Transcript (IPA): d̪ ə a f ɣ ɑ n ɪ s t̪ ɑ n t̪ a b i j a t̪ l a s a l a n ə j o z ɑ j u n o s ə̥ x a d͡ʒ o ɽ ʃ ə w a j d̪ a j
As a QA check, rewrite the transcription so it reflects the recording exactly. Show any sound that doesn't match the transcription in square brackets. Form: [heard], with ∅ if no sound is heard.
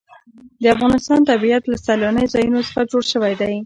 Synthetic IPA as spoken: d̪ ə a f ɣ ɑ n ɪ s t̪ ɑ n t̪ a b i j a t̪ l a s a l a n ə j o z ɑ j u n o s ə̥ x a d͡ʒ o ɽ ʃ ə w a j d̪ a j